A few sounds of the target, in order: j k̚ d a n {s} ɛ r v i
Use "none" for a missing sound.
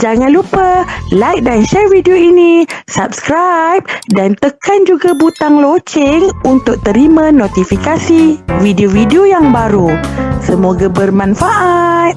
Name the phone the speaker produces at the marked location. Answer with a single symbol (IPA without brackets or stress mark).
ʃ